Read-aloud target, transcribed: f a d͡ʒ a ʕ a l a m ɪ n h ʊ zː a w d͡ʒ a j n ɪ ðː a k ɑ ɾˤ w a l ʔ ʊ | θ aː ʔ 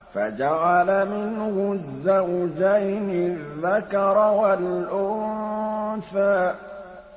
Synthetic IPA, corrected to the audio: f a d͡ʒ a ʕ a l a m ɪ n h ʊ zː a w d͡ʒ a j n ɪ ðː a k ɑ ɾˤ w a l ʔ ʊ | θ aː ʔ